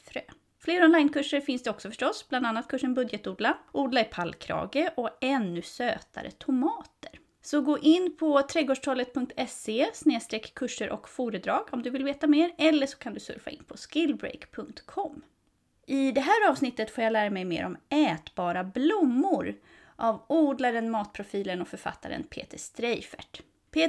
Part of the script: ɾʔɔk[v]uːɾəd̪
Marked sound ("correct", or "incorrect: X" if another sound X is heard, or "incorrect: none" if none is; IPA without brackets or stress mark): incorrect: f